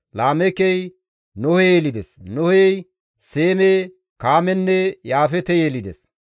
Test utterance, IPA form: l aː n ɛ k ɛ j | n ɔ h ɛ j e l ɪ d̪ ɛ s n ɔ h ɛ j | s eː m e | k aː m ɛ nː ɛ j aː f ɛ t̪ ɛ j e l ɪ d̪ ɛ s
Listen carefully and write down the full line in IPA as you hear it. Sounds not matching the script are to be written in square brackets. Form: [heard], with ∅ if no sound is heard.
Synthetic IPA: l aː [m] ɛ k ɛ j | n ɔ h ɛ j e l ɪ d̪ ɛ s n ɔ h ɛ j | s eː m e | k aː m ɛ nː ɛ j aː f ɛ t̪ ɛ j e l ɪ d̪ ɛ s